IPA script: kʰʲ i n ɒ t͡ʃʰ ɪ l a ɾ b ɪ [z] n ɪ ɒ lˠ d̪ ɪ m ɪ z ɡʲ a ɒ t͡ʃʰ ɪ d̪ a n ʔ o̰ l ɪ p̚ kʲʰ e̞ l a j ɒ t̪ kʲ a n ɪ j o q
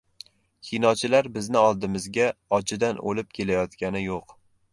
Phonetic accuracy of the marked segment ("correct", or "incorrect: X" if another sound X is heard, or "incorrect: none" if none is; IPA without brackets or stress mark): correct